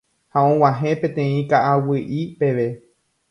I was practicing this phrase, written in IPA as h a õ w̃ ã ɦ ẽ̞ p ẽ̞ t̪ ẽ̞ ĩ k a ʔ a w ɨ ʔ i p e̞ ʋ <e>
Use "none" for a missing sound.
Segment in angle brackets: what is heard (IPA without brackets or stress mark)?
e